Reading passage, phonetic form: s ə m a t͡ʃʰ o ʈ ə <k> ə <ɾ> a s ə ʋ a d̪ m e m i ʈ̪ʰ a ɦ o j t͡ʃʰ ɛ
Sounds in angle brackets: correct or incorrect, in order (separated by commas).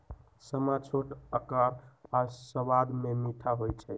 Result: correct, correct